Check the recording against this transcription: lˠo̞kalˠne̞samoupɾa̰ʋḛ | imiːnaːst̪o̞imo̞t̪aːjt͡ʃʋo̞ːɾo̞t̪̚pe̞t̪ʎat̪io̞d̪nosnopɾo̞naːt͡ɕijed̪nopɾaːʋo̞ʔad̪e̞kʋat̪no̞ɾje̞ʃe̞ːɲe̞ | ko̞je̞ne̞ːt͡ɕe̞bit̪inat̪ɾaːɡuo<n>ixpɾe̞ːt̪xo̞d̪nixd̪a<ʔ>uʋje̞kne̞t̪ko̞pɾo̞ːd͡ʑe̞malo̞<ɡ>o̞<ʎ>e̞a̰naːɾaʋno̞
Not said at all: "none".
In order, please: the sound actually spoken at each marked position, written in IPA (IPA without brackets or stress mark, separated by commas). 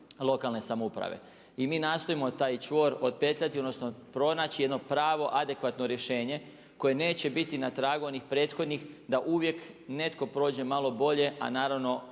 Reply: n, ʔ, b, ʎ